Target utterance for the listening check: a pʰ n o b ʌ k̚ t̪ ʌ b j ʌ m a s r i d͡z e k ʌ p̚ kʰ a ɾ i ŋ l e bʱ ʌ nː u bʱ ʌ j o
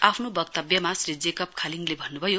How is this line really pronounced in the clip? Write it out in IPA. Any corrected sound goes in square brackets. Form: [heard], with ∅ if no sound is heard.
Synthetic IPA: a pʰ n o b ʌ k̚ t̪ ʌ b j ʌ m a s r i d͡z e k ʌ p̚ kʰ a [l] i ŋ l e bʱ ʌ nː u bʱ ʌ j o